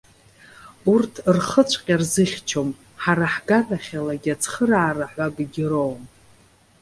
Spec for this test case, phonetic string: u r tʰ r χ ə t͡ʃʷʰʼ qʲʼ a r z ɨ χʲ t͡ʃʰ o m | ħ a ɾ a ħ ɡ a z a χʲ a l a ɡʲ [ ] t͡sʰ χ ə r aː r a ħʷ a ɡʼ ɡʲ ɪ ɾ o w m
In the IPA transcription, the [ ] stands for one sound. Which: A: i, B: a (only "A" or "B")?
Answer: B